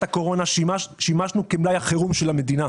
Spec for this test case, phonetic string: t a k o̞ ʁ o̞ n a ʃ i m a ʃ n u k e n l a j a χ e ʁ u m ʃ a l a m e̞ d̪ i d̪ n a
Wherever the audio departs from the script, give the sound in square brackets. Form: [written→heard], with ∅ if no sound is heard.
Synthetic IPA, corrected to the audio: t a k o̞ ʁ o̞ n a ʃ i m a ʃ n u k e [n→m] l a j a χ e ʁ u m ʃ [a→e] l a m e̞ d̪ i [d̪→∅] n a